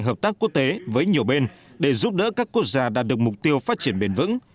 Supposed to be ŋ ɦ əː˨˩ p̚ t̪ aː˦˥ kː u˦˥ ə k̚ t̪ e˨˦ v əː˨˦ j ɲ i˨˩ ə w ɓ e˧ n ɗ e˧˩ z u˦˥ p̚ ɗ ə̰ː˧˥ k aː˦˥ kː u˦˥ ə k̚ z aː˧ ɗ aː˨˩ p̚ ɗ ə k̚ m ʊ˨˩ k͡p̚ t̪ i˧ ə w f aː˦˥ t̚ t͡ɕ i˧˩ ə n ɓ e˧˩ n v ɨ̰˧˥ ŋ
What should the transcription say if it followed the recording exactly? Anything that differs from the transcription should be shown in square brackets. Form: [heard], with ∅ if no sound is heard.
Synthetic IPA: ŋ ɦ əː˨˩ p̚ t̪ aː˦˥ kː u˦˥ ə k̚ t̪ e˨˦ v əː˨˦ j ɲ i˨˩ ə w ɓ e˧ n ɗ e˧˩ z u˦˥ p̚ ɗ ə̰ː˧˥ k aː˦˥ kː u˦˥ ə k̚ z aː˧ ɗ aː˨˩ [t̚] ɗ ə k̚ m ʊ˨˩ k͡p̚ t̪ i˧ ə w f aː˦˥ t̚ t͡ɕ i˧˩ ə n ɓ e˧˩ n v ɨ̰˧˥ ŋ

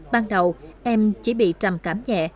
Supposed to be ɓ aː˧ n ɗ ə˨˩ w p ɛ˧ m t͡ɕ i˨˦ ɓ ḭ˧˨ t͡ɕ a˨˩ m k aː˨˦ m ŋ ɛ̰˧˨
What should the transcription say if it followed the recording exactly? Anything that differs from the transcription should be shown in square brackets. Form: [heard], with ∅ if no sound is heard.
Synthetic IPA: ɓ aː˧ n ɗ ə˨˩ w [ʔ] ɛ˧ m t͡ɕ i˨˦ ɓ ḭ˧˨ t͡ɕ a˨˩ m k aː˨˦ m [ɲ] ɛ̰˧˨

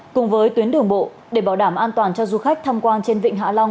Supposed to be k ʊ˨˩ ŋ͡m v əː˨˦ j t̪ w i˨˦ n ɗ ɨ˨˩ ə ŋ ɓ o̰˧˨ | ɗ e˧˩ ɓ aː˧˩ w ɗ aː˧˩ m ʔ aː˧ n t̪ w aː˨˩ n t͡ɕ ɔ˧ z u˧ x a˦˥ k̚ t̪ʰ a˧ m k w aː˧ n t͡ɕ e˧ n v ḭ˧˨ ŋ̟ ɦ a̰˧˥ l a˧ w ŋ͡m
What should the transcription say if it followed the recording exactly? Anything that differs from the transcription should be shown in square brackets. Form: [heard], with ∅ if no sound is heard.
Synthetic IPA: k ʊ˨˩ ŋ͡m v əː˨˦ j t̪ w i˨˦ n ɗ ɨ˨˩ ə ŋ ɓ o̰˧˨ | ɗ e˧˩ ɓ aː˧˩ w ɗ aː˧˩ m ʔ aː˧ n t̪ w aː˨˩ n t͡ɕ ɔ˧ z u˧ x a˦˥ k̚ t̪ʰ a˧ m k w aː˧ n t͡ɕ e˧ n v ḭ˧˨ ŋ̟ ɦ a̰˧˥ l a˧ w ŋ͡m

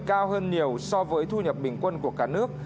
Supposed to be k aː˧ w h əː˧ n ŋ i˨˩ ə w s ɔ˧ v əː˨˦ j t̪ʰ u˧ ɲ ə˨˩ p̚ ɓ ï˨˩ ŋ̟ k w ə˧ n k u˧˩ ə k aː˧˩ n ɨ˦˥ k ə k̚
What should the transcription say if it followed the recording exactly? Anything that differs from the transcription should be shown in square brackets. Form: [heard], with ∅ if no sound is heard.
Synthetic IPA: k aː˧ w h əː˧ n [ɲ] i˨˩ ə w s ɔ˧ v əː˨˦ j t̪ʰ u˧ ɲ ə˨˩ p̚ ɓ ï˨˩ ŋ̟ k w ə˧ n k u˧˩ ə k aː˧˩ n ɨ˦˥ [∅] ə k̚

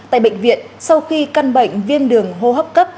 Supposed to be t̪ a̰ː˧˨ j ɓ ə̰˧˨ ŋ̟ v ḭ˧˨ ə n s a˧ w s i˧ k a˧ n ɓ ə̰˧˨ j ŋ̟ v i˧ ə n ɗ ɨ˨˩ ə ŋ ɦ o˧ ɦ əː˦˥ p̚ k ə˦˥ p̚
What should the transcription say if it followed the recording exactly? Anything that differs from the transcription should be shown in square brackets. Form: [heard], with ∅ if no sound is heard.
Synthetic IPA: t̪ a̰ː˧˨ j ɓ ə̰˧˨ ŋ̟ v ḭ˧˨ ə n s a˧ w [x] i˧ k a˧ n ɓ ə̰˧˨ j ŋ̟ v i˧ ə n ɗ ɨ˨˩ ə ŋ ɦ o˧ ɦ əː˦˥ p̚ k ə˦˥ p̚

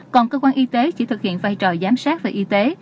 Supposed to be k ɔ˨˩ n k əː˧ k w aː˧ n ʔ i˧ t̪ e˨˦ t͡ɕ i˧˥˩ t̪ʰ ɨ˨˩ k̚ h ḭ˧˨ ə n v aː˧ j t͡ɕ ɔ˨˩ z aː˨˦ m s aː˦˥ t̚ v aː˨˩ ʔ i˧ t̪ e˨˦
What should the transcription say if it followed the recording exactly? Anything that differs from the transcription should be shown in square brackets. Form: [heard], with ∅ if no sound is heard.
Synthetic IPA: k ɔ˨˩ n k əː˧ k w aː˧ n ʔ i˧ t̪ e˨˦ t͡ɕ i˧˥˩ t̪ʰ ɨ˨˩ k̚ h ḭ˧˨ ə n v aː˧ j t͡ɕ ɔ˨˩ z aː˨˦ m s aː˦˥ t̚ v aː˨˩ ʔ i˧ t̪ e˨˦

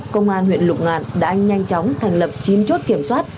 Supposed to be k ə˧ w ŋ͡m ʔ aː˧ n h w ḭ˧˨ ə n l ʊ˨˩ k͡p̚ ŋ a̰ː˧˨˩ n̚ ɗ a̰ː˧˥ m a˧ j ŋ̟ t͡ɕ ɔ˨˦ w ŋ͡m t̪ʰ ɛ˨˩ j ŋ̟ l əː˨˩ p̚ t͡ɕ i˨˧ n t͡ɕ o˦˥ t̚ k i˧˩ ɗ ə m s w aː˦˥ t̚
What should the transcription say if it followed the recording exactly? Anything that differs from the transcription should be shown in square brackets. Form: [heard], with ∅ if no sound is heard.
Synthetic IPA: k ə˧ w ŋ͡m ʔ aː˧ n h w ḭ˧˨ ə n l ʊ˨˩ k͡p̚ ŋ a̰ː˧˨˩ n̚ ɗ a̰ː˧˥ [ɲ] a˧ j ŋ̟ t͡ɕ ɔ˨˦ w ŋ͡m t̪ʰ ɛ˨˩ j ŋ̟ l [ə˨˩] p̚ t͡ɕ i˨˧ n t͡ɕ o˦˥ t̚ k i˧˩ [∅] ə m s w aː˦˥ t̚

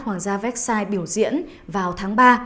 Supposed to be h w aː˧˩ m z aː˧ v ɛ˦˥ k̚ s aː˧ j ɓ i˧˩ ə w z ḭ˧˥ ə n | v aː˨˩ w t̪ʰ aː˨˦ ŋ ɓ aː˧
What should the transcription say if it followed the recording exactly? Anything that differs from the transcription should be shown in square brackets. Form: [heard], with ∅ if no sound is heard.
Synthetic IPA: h w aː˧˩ [ŋ] z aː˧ v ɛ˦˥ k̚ s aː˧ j ɓ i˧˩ ə w z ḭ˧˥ ə n | v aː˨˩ w t̪ʰ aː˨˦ ŋ ɓ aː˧

